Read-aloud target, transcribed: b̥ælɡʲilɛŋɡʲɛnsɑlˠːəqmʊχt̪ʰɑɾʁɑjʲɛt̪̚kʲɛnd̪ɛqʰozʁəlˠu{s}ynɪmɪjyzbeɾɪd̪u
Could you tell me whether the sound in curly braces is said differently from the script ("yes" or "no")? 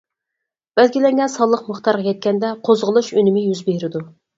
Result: yes